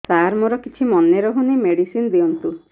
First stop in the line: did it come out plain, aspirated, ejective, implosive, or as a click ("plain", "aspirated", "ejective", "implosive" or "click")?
plain